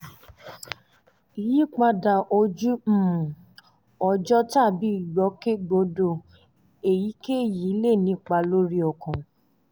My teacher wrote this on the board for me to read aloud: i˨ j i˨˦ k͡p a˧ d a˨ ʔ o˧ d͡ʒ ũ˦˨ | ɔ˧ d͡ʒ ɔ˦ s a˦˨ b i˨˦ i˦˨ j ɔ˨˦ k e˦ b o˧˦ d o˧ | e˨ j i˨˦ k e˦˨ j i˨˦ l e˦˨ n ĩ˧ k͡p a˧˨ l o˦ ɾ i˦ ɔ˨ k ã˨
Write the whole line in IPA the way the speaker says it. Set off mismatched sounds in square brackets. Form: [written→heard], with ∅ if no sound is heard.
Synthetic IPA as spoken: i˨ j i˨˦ k͡p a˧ d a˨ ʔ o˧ d͡ʒ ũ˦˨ | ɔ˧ d͡ʒ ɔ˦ [s→t] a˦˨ b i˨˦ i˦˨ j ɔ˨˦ k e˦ [b→ɡ͡b] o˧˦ d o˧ | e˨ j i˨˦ k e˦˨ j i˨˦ l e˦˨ n ĩ˧ k͡p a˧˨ l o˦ ɾ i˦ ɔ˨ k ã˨